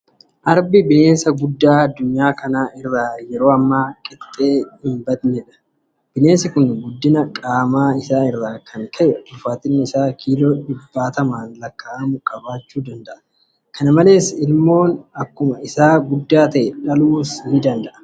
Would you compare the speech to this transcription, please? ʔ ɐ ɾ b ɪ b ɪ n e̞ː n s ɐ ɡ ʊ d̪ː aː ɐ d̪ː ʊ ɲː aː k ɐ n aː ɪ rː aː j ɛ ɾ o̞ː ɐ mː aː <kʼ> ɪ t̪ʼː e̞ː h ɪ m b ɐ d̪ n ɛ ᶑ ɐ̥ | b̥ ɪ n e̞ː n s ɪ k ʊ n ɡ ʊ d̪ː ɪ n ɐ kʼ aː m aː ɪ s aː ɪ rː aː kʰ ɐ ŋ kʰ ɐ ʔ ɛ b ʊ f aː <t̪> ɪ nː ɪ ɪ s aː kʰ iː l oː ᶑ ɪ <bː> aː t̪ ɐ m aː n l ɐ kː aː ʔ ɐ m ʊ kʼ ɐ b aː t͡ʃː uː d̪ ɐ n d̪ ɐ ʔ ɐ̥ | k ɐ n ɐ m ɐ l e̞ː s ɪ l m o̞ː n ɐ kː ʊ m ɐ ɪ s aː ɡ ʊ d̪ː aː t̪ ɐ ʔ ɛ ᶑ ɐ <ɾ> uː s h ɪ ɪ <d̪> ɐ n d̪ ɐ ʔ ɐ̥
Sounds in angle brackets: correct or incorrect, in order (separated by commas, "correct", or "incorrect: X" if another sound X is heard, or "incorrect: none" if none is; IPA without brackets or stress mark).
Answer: correct, correct, correct, incorrect: l, correct